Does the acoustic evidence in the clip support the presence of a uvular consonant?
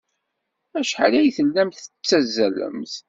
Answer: no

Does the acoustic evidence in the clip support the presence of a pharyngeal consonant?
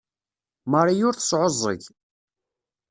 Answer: yes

